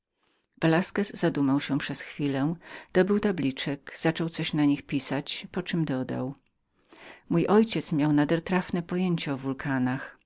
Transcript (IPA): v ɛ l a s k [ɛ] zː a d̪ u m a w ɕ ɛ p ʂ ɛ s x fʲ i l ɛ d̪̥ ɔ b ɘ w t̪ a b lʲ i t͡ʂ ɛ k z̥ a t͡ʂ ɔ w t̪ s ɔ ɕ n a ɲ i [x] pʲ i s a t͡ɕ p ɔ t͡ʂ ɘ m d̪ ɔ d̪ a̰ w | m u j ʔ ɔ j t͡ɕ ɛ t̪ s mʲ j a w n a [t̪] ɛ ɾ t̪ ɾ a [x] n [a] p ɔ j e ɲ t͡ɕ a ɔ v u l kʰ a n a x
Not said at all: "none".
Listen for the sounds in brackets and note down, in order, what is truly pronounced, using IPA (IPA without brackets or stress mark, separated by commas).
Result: ɛ, x, d̪, f, ɛ